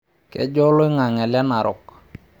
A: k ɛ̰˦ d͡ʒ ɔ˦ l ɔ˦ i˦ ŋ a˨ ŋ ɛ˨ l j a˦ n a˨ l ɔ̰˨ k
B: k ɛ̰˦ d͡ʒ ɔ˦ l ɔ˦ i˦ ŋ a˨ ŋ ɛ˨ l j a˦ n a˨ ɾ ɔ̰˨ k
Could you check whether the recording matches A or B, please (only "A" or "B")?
B